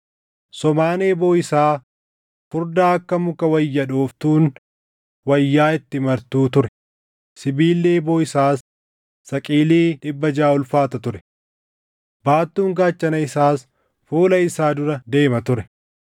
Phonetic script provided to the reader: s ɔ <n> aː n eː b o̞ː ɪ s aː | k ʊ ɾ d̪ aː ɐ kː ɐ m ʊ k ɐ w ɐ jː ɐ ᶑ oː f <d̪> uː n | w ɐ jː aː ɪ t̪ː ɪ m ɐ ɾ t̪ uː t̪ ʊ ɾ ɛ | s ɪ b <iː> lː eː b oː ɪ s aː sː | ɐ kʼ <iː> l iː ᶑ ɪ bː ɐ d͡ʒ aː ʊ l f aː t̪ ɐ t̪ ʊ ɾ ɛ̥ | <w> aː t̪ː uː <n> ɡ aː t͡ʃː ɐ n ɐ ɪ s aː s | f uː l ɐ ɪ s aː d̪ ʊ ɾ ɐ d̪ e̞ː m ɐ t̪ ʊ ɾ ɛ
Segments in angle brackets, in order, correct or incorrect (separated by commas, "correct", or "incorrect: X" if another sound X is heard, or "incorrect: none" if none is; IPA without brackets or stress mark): incorrect: m, incorrect: t̪, correct, correct, incorrect: b, incorrect: ŋ